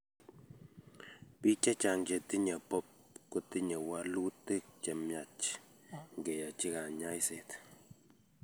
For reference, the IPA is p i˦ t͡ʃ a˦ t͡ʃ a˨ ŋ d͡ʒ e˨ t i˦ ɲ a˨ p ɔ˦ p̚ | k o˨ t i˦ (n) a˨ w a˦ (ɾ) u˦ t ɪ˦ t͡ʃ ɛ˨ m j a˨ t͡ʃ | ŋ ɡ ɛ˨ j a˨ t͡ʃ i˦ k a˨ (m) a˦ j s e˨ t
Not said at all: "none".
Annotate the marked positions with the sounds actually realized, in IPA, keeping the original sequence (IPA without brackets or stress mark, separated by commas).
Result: ɲ, l, ɲ